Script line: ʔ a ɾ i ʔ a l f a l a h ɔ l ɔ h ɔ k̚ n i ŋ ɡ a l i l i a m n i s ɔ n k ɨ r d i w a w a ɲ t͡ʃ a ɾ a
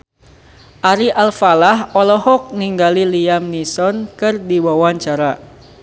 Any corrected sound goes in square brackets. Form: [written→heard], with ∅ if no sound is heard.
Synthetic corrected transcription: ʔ a ɾ i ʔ a l f a l a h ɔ l ɔ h ɔ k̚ n i ŋ ɡ a l i l i a m n i s ɔ n k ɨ r d i w a w a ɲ t͡ʃ a ɾ a